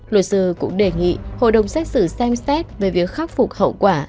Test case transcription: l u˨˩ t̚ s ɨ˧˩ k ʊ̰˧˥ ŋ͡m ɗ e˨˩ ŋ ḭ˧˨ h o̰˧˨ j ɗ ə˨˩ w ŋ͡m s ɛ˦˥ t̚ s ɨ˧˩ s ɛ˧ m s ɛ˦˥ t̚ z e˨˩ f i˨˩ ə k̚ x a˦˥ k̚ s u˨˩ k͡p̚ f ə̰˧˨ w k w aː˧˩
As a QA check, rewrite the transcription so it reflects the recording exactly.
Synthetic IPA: l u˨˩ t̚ s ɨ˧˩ k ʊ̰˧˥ ŋ͡m ɗ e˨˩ ŋ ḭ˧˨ h o̰˧˨ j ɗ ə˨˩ w ŋ͡m s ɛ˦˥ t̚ s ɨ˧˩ s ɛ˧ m s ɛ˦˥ t̚ v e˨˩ v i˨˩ ə k̚ x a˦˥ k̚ f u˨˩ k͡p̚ h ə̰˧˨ w k w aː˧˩